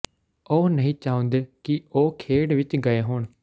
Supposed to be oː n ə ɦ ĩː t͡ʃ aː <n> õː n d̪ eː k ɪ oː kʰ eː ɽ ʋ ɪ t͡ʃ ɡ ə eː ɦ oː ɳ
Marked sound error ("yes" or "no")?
yes